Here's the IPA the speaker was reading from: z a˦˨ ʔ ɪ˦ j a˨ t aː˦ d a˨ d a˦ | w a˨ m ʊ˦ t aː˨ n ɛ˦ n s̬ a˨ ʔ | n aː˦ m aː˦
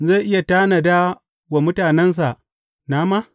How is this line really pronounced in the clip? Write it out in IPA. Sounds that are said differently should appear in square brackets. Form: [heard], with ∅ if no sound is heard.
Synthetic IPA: z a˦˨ ʔ ɪ˦ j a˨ t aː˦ [n] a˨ d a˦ | w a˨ m ʊ˦ t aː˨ n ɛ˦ n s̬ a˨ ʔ | n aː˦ m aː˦

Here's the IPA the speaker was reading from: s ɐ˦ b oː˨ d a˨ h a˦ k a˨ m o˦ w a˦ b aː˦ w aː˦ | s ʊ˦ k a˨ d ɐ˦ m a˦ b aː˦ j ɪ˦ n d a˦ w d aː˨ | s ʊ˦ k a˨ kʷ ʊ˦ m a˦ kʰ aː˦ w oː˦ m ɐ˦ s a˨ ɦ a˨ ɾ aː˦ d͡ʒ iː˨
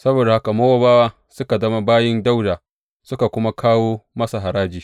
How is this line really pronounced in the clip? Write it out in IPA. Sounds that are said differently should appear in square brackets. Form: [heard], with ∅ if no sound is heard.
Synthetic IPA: s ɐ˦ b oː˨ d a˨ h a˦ k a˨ m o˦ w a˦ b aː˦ w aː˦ | s ʊ˦ k a˨ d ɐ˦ m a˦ b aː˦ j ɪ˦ n d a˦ w d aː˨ | s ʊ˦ k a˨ kʷ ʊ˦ m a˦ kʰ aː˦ w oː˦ m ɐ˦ s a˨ ɦ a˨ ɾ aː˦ d͡ʒ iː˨

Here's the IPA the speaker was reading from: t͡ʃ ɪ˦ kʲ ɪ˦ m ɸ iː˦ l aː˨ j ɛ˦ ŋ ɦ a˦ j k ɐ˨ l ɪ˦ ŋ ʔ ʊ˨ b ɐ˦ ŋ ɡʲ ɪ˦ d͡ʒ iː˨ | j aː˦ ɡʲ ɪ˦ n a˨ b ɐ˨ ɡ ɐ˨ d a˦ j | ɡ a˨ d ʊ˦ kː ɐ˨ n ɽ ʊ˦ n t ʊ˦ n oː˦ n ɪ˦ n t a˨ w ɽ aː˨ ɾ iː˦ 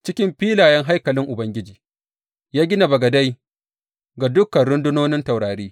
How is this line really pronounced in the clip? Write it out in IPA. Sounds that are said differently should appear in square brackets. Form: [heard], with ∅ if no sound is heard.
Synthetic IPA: t͡ʃ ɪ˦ kʲ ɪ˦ m ɸ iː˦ l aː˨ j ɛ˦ ŋ ɦ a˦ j k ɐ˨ l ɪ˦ ŋ ʔ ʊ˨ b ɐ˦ ŋ ɡʲ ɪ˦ d͡ʒ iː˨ | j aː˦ ɡʲ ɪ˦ n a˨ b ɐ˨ ɡ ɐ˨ d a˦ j | ɡ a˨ d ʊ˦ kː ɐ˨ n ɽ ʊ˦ n [d] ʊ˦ n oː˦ n ɪ˦ n t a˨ w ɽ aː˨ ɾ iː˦

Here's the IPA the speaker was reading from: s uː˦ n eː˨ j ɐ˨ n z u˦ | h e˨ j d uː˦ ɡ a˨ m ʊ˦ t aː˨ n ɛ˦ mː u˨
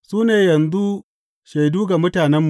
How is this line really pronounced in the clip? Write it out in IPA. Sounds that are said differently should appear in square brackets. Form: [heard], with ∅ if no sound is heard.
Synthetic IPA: s uː˦ n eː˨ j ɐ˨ n z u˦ | [ʃ] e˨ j d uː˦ ɡ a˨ m ʊ˦ t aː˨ n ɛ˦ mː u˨

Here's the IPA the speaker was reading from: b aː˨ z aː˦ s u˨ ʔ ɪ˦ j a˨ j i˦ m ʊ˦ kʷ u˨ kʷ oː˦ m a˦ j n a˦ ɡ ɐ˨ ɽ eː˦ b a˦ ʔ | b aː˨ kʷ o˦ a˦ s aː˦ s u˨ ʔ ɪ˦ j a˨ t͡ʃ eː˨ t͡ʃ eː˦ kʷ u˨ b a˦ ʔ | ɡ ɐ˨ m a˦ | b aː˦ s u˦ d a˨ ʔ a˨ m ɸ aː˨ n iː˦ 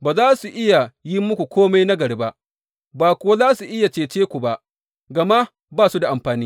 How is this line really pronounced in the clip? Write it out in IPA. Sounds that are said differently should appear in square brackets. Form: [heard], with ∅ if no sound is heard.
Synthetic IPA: b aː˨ z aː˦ s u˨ ʔ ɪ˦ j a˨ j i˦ m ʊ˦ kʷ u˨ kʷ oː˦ m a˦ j n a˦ ɡ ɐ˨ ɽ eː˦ b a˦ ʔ | b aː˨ kʷ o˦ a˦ [z] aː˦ s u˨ ʔ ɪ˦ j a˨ t͡ʃ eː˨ t͡ʃ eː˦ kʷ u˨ b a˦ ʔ | ɡ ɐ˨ m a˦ | b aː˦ s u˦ d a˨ ʔ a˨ m ɸ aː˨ n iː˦

